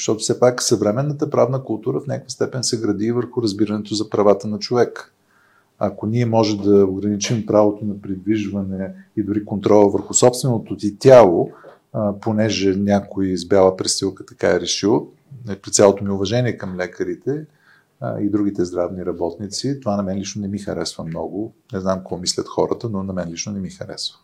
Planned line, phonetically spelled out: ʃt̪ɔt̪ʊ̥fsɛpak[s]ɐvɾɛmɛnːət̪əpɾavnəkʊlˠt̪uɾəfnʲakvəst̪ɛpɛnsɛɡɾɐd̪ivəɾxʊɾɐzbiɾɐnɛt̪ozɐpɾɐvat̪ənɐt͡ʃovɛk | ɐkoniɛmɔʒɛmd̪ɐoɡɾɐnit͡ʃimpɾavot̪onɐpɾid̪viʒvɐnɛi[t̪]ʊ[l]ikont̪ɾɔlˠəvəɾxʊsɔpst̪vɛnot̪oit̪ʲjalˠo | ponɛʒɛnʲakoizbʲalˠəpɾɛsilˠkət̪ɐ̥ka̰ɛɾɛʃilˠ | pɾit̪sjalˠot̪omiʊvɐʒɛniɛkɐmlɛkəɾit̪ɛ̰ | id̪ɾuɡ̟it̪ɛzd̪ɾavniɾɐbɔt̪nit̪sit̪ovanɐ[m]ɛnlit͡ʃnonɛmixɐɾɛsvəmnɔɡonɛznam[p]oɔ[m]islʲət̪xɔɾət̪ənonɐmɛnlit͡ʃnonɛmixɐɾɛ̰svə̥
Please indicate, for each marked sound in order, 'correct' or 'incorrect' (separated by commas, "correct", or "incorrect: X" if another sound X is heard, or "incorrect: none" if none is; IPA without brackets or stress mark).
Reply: correct, incorrect: d̪, incorrect: ɾ, correct, incorrect: k, correct